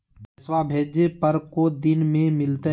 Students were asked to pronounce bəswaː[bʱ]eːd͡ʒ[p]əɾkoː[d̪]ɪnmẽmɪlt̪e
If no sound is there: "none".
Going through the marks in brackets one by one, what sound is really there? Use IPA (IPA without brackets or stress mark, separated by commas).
bʱ, p, d̪